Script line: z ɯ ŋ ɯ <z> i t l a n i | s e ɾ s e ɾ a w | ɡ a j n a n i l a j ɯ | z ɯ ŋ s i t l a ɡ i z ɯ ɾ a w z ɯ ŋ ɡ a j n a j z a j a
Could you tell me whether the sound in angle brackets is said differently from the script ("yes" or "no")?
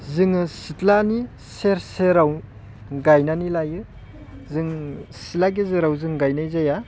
yes